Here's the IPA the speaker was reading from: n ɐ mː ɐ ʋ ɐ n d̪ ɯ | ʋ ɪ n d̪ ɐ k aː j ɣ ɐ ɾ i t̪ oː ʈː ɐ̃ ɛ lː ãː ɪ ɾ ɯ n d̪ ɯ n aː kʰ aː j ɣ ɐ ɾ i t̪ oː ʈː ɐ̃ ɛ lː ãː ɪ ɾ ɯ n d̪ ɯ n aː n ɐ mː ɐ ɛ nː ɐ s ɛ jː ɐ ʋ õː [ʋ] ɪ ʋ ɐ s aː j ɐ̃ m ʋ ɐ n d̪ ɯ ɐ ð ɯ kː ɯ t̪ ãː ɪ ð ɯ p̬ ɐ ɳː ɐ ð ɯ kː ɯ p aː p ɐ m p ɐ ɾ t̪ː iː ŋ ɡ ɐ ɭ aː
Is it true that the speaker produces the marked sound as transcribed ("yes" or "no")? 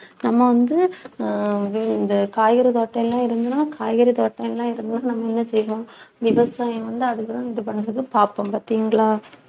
yes